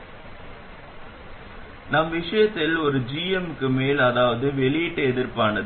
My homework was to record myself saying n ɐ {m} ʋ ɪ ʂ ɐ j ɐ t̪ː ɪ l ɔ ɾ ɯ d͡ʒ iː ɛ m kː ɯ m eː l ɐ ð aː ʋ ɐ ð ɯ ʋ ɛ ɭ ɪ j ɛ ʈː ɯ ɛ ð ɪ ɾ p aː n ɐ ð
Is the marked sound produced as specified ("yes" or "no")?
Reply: yes